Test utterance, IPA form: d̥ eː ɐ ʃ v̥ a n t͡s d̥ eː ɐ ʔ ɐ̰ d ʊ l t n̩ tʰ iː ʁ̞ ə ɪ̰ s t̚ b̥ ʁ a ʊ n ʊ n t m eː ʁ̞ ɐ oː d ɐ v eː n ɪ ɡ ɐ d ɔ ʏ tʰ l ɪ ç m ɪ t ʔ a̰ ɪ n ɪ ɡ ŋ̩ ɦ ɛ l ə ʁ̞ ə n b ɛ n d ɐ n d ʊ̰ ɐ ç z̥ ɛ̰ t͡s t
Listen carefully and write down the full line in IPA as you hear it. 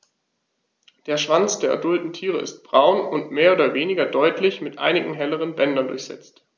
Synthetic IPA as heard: d̥ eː ɐ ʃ v̥ a n t͡s d̥ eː ɐ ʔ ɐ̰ d ʊ l t n̩ tʰ iː ʁ̞ ə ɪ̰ s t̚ b̥ ʁ a ʊ n ʊ n t m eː ɐ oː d ɐ v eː n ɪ ɡ ɐ d ɔ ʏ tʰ l ɪ ç m ɪ t ʔ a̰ ɪ n ɪ ɡ ŋ̩ ɦ ɛ l ə ʁ̞ ə n b ɛ n d ɐ n d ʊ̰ ɐ ç z̥ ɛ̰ t͡s t